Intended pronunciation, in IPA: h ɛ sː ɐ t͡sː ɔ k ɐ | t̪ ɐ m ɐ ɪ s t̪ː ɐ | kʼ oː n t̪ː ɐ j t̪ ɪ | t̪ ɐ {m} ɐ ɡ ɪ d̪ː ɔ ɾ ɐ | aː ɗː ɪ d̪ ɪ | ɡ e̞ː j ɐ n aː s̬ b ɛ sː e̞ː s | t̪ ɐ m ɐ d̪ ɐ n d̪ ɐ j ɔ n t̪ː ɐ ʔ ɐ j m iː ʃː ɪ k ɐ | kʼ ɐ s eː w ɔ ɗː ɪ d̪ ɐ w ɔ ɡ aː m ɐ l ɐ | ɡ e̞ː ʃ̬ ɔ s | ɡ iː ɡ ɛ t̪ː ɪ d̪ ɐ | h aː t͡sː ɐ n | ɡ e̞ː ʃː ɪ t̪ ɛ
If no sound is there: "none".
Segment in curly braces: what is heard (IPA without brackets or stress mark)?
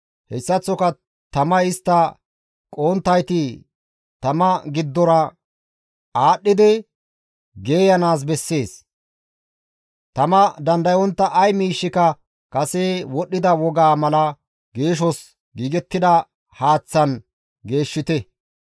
m